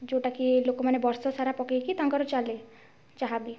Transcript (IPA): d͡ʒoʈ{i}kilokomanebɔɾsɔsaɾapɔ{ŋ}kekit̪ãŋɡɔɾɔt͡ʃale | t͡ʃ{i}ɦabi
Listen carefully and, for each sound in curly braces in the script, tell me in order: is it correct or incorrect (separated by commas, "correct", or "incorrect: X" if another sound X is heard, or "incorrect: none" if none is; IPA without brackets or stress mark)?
incorrect: a, incorrect: none, incorrect: a